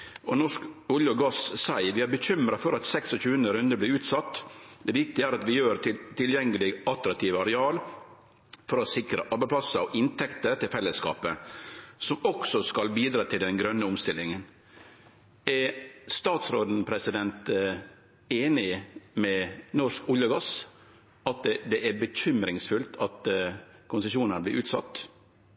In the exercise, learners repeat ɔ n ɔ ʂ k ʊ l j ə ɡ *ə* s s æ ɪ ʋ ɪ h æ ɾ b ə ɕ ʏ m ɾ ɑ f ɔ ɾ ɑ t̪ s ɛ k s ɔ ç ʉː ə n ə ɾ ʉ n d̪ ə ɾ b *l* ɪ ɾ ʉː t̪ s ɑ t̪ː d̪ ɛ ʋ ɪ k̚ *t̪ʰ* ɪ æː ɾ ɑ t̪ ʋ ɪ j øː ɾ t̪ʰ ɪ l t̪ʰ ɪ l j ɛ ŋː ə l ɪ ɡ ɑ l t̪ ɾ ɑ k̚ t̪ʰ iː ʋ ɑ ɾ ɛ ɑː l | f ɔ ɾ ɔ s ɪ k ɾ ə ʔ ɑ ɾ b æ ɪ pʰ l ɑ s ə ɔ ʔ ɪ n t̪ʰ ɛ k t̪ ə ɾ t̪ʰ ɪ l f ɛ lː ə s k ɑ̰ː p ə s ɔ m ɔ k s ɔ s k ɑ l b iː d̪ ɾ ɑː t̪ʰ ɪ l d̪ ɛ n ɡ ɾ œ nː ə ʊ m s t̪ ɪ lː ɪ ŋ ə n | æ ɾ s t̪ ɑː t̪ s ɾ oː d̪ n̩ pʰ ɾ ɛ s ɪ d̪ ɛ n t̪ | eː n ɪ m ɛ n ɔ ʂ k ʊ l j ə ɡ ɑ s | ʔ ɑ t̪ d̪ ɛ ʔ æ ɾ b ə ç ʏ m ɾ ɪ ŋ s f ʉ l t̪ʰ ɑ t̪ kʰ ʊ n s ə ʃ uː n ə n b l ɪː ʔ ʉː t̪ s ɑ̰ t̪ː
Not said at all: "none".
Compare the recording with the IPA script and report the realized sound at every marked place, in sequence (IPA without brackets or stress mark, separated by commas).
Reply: ɑ, l, t̪